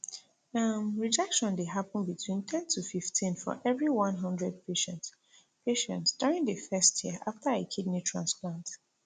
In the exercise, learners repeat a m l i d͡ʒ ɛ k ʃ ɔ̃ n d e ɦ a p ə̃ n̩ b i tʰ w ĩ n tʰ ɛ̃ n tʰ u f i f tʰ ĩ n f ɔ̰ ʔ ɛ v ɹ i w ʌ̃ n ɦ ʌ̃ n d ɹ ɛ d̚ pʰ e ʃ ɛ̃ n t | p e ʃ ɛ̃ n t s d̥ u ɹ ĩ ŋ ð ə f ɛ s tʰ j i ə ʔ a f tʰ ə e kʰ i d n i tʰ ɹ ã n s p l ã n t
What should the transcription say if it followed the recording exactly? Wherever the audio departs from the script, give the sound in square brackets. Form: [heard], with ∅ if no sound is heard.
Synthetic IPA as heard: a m [ɹ] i d͡ʒ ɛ k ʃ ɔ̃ n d e ɦ a p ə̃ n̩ b i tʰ w ĩ n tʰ ɛ̃ n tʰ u f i f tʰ ĩ n f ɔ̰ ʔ ɛ v ɹ i w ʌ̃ n ɦ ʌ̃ n d ɹ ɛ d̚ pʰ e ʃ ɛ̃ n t | p e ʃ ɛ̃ n t s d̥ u ɹ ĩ ŋ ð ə f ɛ s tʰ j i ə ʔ a f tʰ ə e kʰ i d n i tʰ ɹ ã n s p l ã n t